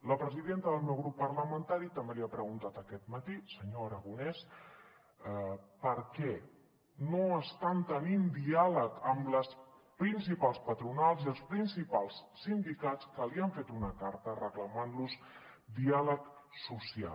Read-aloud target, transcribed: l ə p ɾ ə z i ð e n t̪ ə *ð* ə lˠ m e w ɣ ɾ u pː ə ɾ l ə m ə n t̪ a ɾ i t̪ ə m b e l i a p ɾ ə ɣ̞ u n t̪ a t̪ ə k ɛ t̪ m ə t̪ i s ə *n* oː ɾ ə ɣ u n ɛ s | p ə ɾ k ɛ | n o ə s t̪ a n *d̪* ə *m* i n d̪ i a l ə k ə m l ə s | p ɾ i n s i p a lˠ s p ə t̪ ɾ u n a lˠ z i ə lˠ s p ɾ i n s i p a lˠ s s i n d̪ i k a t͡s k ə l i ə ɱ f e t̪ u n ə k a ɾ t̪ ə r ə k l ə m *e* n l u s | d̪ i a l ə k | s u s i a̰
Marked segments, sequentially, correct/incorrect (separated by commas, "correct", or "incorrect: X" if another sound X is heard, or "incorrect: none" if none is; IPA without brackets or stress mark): correct, incorrect: ɲ, incorrect: t̪, incorrect: n, incorrect: a